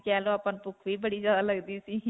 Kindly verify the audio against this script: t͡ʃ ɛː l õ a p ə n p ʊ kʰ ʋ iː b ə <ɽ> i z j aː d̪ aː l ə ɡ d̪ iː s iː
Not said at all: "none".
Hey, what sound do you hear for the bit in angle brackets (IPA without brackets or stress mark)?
ɽ